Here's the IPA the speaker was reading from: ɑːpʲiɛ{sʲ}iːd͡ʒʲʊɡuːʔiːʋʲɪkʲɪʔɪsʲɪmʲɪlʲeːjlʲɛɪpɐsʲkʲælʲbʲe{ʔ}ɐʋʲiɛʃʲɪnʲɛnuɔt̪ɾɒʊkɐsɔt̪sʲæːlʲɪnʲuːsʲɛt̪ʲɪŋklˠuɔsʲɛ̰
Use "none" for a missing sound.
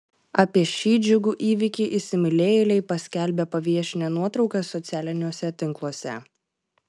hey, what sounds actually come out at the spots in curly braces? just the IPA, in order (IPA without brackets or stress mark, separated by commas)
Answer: ʃʲ, p